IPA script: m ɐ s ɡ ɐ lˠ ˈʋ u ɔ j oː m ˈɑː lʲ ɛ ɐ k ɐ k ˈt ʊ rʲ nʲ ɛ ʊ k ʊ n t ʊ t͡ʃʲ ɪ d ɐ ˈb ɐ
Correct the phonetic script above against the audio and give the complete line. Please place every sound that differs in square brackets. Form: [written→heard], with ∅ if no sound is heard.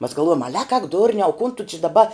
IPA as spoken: m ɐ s ɡ ɐ lˠ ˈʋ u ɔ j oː m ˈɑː lʲ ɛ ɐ k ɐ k [ˈt→ˈd] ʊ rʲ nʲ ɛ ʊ k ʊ n t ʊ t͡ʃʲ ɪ d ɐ ˈb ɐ